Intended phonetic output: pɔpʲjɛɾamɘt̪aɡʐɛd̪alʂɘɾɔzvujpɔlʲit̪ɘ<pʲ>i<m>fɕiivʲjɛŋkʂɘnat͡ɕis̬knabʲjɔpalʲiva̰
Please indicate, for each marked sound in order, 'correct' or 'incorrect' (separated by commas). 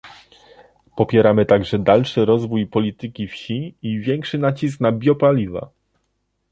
incorrect, incorrect